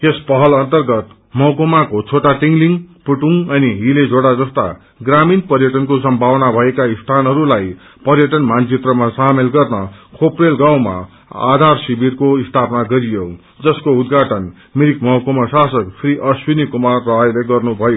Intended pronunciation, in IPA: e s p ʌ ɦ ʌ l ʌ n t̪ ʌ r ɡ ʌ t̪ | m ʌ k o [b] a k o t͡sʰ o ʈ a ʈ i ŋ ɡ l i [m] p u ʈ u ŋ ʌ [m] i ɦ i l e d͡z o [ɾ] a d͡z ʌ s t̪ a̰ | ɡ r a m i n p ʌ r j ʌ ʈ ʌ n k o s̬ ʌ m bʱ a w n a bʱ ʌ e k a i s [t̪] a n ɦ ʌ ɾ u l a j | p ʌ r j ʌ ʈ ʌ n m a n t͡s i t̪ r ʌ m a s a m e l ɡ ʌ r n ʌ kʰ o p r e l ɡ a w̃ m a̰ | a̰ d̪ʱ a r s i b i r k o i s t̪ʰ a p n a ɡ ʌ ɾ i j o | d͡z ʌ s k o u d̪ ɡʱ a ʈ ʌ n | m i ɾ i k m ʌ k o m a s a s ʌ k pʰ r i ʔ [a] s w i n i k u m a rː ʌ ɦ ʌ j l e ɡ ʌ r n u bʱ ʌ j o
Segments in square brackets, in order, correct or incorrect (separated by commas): incorrect, incorrect, incorrect, incorrect, incorrect, incorrect